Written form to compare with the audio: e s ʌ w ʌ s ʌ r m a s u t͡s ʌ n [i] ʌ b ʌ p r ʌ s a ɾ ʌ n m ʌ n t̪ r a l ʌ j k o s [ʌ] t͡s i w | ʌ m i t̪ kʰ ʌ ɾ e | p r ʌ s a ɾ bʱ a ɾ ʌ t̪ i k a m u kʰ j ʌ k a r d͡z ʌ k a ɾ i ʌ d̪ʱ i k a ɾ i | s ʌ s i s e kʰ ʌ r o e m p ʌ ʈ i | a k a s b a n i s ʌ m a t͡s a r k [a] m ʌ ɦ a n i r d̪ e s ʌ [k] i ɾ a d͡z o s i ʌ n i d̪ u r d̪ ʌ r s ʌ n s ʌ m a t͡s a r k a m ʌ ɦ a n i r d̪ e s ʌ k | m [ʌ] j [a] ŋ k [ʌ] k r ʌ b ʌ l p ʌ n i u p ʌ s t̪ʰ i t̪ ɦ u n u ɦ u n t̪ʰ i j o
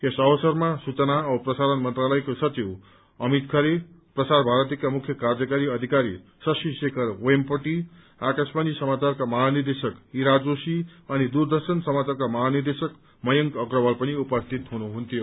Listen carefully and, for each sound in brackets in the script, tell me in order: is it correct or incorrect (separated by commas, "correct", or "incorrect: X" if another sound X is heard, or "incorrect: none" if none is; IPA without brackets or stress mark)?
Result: incorrect: a, correct, correct, correct, correct, incorrect: ʌ, correct